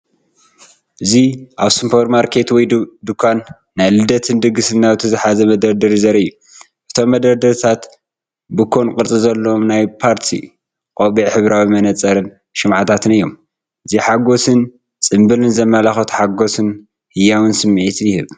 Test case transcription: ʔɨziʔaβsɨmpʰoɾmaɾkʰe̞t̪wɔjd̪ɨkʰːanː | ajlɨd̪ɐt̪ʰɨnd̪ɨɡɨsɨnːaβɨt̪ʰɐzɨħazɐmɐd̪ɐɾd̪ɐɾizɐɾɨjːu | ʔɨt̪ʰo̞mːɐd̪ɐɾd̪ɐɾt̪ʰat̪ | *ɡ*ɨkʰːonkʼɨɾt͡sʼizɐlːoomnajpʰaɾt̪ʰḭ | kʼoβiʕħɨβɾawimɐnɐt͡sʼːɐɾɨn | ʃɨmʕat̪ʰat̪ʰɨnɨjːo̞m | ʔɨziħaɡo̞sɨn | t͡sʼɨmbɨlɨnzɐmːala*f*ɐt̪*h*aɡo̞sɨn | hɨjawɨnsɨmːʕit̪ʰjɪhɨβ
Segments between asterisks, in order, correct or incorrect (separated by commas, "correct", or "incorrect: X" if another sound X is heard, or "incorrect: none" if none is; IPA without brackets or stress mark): incorrect: b, incorrect: x, incorrect: ħ